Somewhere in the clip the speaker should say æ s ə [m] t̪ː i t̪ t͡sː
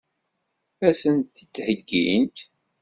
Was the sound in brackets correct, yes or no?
no